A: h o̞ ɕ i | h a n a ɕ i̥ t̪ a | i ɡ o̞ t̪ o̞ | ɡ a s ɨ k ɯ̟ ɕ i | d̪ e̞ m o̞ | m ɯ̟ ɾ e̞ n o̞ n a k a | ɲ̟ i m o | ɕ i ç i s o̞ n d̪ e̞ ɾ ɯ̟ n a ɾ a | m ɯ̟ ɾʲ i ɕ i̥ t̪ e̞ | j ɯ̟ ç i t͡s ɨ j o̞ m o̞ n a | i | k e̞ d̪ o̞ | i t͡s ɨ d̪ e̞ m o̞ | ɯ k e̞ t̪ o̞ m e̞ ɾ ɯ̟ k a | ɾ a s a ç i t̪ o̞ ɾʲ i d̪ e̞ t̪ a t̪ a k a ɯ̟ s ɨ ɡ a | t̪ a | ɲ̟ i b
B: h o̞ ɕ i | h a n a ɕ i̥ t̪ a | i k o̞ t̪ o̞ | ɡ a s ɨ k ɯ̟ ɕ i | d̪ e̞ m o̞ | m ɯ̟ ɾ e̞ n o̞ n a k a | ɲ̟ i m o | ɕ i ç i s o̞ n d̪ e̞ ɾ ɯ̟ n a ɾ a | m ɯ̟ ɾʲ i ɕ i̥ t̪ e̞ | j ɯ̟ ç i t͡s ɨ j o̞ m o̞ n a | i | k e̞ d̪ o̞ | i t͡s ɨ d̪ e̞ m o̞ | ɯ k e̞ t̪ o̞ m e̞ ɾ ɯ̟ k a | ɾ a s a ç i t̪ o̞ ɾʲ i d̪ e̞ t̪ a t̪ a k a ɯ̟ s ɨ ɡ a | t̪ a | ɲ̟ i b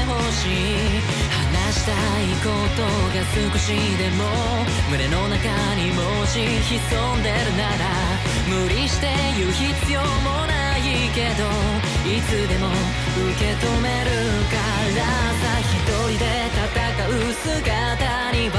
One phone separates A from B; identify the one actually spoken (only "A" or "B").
B